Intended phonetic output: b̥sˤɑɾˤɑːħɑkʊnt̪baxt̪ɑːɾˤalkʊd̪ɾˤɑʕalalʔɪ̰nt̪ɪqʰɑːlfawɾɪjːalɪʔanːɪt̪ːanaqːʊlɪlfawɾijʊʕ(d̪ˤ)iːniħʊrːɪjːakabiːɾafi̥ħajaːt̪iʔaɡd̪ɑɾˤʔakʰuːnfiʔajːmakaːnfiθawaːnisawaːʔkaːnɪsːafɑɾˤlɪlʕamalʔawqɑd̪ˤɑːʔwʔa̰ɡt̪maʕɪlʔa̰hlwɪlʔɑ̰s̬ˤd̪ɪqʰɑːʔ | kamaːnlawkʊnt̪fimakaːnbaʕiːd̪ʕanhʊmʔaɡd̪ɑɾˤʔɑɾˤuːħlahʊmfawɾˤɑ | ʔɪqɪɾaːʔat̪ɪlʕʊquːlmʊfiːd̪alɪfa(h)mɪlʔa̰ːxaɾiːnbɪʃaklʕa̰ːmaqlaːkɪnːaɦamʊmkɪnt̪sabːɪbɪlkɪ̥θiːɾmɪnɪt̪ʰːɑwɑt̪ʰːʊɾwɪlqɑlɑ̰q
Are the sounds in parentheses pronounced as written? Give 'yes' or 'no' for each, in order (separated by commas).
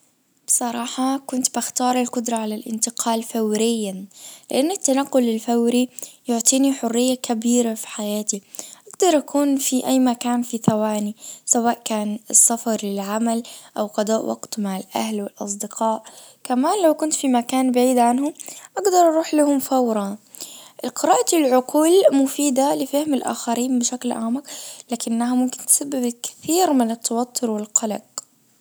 no, yes